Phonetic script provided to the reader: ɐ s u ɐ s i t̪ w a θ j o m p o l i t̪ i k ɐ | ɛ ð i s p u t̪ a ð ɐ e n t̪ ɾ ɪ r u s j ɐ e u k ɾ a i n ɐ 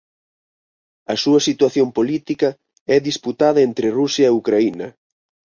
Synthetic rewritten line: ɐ s u ɐ s i t̪ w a θ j o m p o l i t̪ i k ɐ | ɛ ð i s p u t̪ a ð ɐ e n t̪ ɾ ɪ r u s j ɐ e u k ɾ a i n ɐ